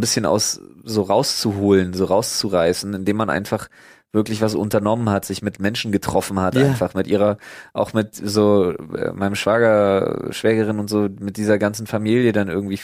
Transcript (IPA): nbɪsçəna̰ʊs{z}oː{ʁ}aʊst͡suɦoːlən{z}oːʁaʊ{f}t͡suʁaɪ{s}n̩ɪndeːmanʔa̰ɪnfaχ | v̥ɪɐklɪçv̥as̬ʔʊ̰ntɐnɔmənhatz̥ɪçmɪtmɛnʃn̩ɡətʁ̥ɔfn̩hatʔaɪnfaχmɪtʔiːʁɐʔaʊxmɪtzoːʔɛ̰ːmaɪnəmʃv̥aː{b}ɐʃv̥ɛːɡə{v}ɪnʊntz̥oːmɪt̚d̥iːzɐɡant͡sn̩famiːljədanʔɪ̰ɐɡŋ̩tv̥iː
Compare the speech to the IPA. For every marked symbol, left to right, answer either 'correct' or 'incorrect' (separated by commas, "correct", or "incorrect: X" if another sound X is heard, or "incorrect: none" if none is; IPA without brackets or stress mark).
correct, correct, correct, incorrect: s, correct, incorrect: ɡ, incorrect: ʁ